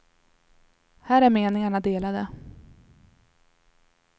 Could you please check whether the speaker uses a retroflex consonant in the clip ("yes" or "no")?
yes